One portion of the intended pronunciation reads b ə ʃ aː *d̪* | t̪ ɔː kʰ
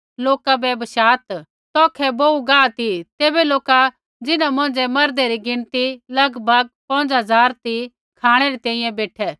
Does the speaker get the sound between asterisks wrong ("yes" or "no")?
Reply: yes